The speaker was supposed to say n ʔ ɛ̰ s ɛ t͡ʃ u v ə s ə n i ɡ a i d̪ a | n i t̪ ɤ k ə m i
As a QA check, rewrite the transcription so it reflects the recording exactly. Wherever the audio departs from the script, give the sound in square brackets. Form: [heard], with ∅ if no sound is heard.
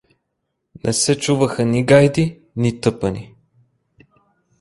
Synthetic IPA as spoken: n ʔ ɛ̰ s ɛ t͡ʃ u v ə [x] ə n i ɡ a [j] d̪ [i] | n i t̪ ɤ [p] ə [n] i